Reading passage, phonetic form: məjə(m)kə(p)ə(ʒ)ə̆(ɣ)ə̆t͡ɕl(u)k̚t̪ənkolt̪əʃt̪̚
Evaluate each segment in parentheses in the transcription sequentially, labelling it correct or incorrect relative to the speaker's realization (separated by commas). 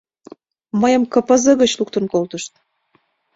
correct, correct, incorrect, correct, correct